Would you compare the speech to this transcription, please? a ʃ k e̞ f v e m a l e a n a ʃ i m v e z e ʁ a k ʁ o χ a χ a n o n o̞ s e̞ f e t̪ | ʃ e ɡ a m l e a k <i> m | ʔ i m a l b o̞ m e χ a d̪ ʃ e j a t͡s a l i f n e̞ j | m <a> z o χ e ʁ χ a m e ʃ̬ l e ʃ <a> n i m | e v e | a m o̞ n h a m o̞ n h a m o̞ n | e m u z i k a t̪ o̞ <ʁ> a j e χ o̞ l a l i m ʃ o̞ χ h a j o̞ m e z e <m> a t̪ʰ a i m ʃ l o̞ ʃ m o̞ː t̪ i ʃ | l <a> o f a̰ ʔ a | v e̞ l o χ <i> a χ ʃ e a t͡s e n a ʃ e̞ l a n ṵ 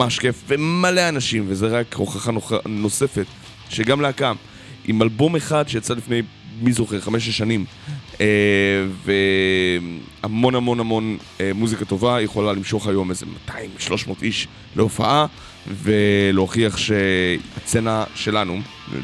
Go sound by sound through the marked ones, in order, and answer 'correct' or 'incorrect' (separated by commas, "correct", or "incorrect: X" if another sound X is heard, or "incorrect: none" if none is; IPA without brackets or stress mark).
incorrect: a, incorrect: i, correct, incorrect: v, correct, incorrect: e, correct